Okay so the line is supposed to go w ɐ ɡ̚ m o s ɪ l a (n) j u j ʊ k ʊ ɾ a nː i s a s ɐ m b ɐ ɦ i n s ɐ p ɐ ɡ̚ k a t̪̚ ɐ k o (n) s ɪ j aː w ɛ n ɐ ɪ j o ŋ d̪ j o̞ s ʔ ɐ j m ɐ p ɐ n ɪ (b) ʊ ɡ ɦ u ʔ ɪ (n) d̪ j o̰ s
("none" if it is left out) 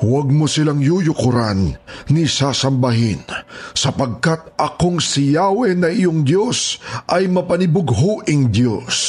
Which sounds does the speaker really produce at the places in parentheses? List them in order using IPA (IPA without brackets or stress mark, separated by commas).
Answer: ŋ, ŋ, b, ŋ